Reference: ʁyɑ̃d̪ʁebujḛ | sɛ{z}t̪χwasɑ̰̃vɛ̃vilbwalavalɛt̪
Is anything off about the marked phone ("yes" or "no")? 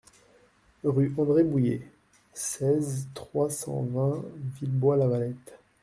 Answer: no